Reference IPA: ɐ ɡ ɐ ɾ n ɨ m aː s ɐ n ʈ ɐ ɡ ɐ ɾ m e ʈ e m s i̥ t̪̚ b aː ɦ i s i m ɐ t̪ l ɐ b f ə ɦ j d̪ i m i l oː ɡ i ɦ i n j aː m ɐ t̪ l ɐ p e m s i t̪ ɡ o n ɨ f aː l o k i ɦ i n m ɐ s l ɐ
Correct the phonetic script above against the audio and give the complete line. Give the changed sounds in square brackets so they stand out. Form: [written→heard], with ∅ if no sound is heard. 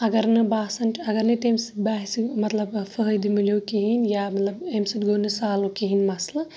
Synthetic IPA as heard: ɐ ɡ ɐ ɾ n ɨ [m→b] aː s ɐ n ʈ ɐ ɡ ɐ ɾ [m→n] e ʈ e m s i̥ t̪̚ b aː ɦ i s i m ɐ t̪ l ɐ b f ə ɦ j d̪ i m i l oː [ɡ→k] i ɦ i n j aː m ɐ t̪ l ɐ [p→b] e m s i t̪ ɡ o n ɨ [f→s] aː l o k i ɦ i n m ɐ s l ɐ